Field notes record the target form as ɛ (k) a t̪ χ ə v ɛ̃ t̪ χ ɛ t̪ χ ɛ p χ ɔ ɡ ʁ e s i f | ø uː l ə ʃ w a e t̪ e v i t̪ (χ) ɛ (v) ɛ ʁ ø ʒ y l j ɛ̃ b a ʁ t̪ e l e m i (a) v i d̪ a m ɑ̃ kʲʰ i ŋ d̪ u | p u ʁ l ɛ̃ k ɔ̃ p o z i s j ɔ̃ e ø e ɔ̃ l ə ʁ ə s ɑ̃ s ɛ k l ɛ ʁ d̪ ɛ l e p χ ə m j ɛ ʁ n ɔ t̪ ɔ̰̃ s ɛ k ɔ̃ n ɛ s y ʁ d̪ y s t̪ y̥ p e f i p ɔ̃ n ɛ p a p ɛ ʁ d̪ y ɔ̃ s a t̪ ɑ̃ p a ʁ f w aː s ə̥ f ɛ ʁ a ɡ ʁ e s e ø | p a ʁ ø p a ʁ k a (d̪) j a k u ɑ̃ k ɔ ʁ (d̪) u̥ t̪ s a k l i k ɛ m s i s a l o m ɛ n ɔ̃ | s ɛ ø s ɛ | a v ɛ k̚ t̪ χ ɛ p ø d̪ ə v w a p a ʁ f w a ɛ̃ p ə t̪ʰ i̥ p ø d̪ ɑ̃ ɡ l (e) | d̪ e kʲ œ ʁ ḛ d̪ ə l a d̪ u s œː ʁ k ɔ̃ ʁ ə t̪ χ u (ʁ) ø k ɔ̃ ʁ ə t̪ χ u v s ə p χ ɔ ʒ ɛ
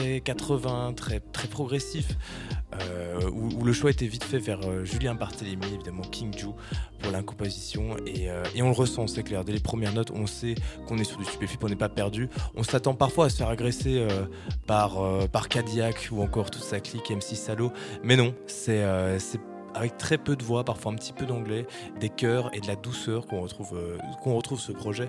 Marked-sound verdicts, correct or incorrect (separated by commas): correct, incorrect, correct, incorrect, correct, incorrect, incorrect, incorrect